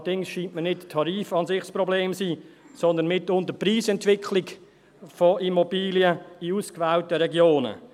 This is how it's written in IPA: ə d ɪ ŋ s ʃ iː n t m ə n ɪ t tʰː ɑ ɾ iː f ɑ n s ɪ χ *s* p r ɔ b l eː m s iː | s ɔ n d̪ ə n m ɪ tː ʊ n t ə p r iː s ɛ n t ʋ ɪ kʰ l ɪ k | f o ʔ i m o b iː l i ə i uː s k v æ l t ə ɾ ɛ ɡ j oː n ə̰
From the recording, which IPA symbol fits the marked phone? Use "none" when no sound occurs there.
s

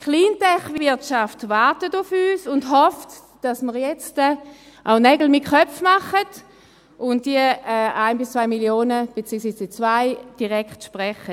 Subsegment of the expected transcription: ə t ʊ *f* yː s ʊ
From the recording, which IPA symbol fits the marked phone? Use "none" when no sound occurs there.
f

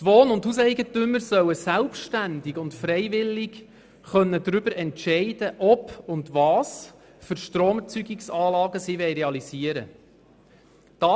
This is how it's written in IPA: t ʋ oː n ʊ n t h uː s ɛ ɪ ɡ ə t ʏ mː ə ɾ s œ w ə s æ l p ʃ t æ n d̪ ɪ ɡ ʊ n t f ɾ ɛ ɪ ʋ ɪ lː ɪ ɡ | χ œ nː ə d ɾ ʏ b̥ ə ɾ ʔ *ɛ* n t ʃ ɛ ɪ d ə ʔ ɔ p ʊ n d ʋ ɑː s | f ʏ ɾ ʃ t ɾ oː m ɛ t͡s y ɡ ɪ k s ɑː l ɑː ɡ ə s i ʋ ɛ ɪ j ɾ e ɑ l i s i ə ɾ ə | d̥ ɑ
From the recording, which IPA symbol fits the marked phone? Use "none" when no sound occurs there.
ɛ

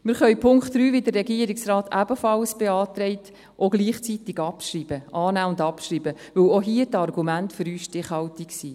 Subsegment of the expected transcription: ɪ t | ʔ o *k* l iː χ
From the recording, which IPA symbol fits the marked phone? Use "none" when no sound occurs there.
ɡ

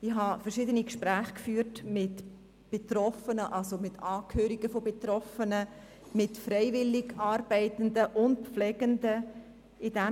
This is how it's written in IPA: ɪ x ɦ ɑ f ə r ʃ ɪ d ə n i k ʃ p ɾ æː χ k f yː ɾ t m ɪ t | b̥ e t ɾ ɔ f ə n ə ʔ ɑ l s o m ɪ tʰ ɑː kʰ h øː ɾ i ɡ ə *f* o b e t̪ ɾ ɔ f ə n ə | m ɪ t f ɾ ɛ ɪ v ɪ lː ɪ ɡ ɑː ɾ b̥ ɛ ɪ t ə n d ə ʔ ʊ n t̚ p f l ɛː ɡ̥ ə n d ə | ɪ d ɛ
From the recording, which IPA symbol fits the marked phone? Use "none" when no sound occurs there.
f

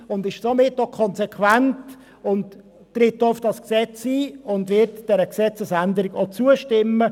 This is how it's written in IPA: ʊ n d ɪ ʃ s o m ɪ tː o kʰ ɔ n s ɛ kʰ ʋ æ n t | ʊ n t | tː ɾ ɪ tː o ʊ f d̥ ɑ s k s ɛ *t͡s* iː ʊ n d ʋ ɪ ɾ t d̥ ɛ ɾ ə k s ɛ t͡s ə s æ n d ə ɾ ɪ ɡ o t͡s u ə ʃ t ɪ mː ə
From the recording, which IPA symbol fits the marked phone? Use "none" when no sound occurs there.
t͡s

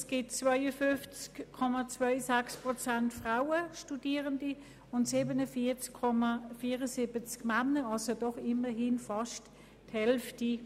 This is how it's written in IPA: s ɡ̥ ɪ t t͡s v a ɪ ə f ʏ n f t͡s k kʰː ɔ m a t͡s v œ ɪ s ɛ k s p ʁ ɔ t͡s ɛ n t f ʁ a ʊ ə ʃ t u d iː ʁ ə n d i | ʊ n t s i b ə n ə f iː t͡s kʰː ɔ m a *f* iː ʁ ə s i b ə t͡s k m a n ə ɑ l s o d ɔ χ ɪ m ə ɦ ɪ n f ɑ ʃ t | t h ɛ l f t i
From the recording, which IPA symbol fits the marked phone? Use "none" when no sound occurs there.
f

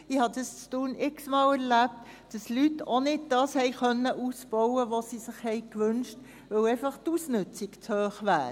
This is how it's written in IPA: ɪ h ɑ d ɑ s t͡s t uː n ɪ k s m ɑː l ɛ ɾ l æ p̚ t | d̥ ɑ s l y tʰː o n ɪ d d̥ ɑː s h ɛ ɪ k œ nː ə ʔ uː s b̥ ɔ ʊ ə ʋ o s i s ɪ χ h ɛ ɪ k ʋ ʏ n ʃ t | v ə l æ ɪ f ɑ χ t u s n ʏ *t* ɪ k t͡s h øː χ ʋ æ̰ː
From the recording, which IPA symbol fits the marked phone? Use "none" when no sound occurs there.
t͡s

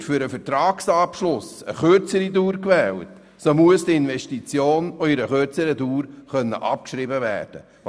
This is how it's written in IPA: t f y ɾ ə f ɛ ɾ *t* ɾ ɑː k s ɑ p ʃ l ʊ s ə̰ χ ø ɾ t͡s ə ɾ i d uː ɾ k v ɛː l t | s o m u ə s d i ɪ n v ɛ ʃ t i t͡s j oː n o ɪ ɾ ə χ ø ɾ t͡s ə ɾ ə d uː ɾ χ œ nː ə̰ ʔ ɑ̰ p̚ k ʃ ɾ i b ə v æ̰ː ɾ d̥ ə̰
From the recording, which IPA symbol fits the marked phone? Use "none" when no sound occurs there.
t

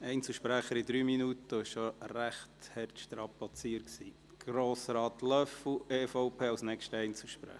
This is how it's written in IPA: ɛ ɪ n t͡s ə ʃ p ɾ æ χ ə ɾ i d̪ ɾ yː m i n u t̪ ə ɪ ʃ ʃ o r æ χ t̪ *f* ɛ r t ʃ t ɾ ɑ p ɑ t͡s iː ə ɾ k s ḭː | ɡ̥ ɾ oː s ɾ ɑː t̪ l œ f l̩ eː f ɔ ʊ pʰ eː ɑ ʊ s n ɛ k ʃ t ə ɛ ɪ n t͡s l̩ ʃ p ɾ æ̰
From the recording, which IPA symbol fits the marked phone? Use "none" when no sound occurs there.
h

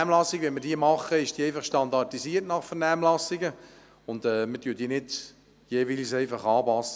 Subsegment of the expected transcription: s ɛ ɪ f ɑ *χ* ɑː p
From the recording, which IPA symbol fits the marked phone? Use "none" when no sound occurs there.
χ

